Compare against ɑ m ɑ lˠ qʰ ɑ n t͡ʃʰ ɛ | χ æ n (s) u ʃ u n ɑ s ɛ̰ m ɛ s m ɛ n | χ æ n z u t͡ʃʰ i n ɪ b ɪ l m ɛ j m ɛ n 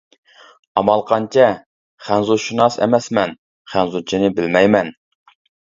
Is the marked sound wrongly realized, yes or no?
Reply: yes